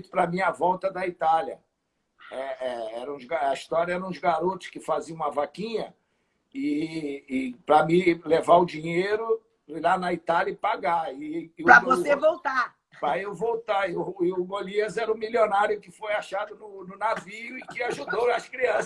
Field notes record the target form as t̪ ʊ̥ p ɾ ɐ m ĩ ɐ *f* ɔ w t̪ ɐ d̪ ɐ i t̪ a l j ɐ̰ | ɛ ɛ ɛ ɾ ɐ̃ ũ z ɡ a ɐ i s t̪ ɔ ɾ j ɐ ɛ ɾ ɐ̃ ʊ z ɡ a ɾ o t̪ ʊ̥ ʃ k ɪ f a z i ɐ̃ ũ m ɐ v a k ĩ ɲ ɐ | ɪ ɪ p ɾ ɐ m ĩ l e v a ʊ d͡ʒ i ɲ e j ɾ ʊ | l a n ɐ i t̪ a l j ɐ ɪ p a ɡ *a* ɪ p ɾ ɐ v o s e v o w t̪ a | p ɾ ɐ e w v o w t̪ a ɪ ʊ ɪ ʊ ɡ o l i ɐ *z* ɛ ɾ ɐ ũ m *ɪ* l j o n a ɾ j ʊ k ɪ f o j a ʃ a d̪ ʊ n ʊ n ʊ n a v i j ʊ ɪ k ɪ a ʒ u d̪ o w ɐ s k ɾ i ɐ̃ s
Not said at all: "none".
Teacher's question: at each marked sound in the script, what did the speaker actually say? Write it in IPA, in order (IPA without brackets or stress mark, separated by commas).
v, a, z, i